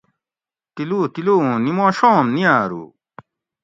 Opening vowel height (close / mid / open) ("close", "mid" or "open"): close